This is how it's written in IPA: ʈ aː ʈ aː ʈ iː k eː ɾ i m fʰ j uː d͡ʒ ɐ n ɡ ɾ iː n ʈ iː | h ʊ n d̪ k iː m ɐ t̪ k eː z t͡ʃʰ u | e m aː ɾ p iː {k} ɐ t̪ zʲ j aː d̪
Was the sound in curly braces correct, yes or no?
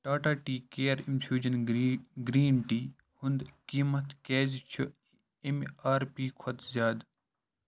no